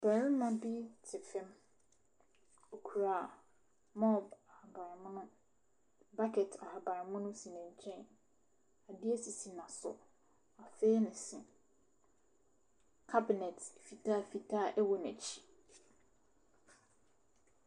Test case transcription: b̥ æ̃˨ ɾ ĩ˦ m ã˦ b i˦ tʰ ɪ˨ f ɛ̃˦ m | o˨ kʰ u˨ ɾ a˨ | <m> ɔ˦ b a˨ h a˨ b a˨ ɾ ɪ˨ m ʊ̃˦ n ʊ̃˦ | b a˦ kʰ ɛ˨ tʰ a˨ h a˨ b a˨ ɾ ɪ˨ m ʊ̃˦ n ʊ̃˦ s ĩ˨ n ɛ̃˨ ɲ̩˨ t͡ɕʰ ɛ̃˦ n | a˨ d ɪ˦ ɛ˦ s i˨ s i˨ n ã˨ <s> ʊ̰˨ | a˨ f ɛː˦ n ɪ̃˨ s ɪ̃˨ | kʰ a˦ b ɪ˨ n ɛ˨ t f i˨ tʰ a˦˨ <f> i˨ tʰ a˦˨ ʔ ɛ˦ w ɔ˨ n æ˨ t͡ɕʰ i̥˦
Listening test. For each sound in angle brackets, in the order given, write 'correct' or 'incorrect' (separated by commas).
correct, correct, correct